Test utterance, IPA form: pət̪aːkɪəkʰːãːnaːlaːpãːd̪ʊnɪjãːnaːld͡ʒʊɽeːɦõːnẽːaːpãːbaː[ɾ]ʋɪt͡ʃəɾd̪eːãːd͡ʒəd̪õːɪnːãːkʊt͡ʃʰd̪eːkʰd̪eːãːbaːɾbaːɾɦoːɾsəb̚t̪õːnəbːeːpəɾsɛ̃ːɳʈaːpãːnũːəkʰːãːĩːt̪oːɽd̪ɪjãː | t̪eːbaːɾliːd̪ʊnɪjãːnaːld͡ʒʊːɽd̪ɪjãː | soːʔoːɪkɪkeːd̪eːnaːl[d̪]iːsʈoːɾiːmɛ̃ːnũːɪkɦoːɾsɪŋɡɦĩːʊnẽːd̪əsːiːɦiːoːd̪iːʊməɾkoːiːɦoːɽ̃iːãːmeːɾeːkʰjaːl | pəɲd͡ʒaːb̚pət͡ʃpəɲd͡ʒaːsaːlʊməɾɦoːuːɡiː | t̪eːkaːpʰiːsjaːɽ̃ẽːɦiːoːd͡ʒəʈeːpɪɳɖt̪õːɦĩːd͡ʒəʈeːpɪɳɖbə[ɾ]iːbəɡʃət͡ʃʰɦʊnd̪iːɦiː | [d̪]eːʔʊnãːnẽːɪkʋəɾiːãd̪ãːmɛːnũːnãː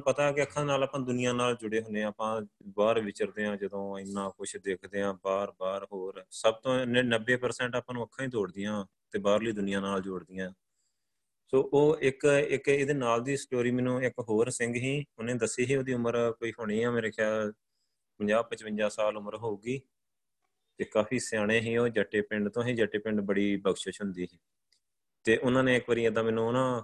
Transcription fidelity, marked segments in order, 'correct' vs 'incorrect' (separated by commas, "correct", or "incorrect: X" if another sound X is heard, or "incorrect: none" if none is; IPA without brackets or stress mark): correct, correct, incorrect: ɽ, incorrect: t̪